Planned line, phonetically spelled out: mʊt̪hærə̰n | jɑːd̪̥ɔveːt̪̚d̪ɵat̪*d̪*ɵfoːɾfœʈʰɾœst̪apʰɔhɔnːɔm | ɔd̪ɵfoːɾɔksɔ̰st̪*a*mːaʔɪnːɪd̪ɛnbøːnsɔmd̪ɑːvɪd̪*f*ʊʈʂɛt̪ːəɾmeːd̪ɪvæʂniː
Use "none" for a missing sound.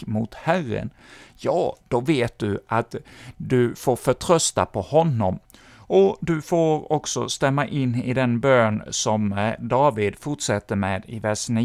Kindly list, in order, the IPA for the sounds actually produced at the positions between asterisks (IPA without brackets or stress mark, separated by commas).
d̪, ɛ, f